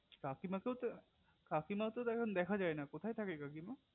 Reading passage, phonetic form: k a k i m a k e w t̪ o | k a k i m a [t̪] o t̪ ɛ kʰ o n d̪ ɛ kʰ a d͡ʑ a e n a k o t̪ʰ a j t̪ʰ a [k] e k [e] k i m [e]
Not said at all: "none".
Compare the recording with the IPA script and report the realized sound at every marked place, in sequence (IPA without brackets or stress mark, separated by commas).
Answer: t̪, k, a, a